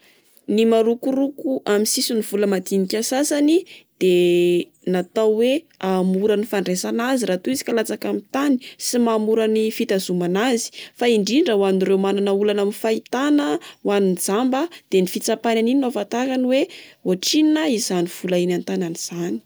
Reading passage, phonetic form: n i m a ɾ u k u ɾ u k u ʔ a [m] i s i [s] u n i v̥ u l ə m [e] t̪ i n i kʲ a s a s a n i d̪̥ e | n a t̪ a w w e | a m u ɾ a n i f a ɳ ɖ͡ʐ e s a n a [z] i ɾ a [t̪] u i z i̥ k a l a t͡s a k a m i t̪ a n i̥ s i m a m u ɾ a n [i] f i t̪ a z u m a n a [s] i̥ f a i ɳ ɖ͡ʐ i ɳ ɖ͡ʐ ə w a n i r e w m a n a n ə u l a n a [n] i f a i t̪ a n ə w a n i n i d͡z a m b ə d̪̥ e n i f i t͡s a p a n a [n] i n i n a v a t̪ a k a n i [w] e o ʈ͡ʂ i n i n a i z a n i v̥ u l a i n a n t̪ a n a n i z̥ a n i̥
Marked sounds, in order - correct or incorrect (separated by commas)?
correct, correct, incorrect, correct, correct, correct, incorrect, incorrect, correct, correct